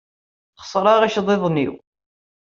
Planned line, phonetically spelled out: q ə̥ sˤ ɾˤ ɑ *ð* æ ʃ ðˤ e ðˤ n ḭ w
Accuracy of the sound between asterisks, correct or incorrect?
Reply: incorrect